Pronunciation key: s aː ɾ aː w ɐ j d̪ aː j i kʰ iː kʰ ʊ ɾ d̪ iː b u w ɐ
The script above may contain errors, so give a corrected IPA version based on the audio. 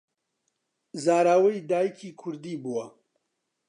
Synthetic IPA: z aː ɾ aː w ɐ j d̪ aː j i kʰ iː kʰ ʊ ɾ d̪ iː b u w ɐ